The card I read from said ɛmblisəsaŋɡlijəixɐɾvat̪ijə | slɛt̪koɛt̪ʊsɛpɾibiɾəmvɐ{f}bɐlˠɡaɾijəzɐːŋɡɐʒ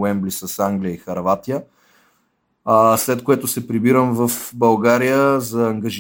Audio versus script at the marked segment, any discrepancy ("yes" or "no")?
no